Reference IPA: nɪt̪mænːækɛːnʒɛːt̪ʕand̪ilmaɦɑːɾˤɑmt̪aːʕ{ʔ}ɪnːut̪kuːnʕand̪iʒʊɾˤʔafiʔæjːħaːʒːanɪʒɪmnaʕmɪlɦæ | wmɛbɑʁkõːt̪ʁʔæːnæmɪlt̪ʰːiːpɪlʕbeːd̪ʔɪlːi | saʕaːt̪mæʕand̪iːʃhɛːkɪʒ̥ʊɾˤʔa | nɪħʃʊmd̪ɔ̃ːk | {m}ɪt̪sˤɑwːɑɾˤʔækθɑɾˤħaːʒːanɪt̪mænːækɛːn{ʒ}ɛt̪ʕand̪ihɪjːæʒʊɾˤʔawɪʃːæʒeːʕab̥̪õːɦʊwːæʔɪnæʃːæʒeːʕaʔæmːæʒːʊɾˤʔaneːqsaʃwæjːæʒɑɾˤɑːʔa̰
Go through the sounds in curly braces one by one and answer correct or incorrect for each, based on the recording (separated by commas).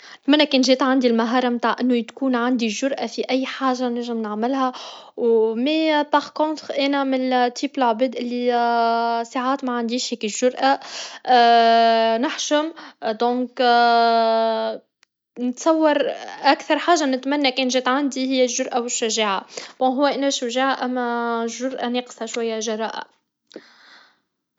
correct, incorrect, correct